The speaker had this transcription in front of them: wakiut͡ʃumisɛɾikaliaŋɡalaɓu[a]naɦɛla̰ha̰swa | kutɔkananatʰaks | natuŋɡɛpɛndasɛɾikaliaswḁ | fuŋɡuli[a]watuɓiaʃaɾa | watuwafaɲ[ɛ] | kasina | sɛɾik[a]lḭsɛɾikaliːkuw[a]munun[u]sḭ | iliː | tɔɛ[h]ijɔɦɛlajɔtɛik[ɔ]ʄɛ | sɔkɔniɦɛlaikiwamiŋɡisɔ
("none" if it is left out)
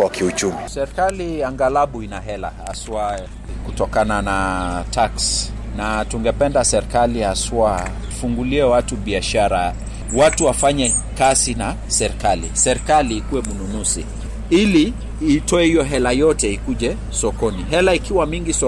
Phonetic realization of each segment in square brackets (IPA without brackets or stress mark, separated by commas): i, ɛ, ɛ, a, ɛ, u, h, u